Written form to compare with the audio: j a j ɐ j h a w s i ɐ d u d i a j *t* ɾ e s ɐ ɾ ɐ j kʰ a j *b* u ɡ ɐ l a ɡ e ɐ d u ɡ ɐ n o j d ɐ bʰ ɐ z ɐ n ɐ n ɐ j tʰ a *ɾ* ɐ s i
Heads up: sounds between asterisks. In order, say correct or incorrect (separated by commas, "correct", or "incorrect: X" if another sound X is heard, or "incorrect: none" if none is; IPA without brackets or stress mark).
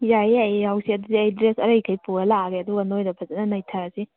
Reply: incorrect: d, incorrect: p, correct